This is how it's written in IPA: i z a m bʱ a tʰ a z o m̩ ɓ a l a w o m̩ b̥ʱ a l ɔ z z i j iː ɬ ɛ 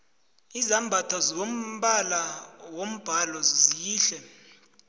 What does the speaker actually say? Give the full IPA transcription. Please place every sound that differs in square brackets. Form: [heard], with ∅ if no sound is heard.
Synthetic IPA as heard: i z a m bʱ a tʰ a z o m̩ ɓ a l a w o m̩ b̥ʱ a l ɔ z z i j iː ɬ ɛ